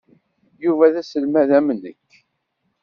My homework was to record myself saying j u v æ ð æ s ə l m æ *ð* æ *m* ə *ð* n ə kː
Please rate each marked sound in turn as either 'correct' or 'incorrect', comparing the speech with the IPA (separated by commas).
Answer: correct, correct, incorrect